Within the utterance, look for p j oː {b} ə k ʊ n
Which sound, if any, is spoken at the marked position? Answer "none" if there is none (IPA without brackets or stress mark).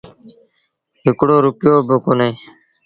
b